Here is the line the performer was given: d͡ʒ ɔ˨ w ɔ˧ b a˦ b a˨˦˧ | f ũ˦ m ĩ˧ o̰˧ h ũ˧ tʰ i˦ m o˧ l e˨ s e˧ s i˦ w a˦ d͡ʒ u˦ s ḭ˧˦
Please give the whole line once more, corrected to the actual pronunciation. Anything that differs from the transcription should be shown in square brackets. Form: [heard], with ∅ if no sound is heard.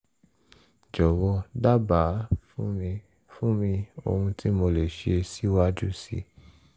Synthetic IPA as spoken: d͡ʒ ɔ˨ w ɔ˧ [d] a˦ b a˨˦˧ | f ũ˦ m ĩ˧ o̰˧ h ũ˧ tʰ i˦ m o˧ l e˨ [ʃ] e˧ s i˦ w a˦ d͡ʒ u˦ s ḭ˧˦

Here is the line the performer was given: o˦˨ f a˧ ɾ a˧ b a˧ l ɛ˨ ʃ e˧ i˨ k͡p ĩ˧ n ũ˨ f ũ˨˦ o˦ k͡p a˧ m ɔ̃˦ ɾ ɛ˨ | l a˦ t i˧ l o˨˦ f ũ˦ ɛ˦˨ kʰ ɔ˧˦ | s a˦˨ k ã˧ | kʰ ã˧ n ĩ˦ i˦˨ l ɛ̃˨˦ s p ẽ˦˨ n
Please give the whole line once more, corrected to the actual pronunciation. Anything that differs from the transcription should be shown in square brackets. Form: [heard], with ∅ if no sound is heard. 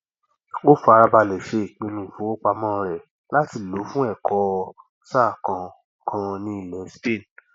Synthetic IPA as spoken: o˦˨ f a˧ ɾ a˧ b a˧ l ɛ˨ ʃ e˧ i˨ k͡p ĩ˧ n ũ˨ f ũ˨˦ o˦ k͡p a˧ m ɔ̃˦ ɾ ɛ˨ | l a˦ t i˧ l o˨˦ f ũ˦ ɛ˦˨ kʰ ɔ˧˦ | s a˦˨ k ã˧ | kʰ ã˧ n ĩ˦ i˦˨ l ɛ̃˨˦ s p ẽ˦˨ n

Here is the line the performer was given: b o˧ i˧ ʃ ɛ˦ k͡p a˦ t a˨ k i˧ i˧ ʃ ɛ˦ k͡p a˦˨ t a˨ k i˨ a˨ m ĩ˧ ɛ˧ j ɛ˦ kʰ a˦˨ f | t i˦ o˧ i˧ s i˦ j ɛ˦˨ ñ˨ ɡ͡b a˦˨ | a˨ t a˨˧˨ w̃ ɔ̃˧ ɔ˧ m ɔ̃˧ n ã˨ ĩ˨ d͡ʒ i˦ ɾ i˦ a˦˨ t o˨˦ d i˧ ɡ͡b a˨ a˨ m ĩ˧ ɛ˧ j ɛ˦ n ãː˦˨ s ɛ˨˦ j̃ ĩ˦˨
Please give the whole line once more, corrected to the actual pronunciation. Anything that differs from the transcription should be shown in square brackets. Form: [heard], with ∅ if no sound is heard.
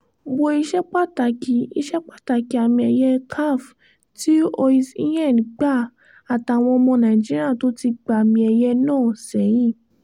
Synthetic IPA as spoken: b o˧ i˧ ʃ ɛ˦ k͡p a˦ t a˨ k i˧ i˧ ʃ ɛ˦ k͡p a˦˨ t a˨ k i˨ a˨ m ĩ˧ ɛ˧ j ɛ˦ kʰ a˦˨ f | t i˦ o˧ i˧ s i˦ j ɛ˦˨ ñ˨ ɡ͡b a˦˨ | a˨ t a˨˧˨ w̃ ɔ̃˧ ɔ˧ m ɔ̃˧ n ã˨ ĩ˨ d͡ʒ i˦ ɾ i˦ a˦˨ t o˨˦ [t] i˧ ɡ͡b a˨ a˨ m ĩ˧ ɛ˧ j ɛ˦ n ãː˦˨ s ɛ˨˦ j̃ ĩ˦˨

